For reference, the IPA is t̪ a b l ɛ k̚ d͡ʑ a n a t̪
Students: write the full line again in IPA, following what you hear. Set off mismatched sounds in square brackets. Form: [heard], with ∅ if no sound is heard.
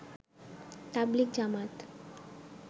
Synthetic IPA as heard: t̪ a b l [i] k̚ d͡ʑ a [m] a t̪